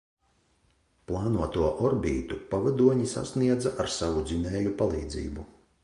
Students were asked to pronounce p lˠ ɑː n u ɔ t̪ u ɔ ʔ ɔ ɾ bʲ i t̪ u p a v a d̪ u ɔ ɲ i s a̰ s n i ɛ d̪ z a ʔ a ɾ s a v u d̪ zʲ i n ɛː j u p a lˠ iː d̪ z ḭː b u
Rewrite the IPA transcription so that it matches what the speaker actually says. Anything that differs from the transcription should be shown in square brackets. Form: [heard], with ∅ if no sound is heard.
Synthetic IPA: p lˠ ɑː n u ɔ t̪ u ɔ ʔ ɔ ɾ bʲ [iː] t̪ u p a v a d̪ u ɔ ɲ i s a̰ s n i ɛ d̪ z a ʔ a ɾ s a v u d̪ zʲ i n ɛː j u p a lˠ iː d̪ z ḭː b u